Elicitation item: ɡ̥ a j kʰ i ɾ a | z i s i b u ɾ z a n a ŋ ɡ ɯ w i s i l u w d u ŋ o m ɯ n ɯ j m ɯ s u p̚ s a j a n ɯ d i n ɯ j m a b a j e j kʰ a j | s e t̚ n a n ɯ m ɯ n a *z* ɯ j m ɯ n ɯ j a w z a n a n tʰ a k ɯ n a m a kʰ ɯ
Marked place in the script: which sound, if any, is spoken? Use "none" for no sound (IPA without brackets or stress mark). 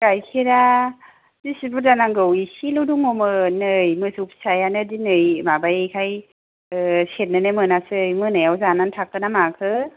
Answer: s